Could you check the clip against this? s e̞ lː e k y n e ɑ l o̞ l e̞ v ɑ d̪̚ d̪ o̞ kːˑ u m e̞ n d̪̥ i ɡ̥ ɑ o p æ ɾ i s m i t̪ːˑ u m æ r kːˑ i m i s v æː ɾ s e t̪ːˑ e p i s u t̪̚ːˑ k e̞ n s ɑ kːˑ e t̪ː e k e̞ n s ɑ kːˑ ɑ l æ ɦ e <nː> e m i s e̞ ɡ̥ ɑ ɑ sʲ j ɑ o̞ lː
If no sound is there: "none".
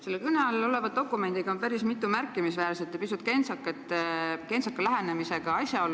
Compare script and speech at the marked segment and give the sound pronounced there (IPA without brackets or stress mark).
n